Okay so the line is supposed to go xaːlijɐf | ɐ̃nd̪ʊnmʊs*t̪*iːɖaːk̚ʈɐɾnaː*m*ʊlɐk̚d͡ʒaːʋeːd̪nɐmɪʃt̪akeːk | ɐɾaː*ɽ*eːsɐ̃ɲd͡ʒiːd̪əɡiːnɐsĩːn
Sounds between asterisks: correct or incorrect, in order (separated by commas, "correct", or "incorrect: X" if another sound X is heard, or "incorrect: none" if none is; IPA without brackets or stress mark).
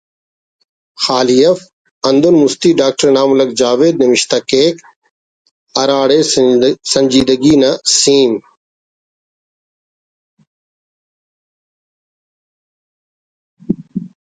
correct, correct, correct